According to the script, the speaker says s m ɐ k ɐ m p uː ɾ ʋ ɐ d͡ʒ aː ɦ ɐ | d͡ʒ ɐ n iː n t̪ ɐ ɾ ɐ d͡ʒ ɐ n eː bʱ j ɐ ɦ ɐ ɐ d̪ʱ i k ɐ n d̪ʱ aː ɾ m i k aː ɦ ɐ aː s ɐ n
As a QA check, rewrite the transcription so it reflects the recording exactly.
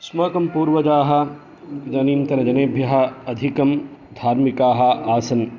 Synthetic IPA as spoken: s m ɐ k ɐ m p uː ɾ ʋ ɐ d͡ʒ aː ɦ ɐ | d͡ʒ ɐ n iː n t̪ ɐ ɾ ɐ d͡ʒ ɐ n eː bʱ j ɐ ɦ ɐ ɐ d̪ʱ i k ɐ m d̪ʱ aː ɾ m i k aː ɦ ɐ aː s ɐ n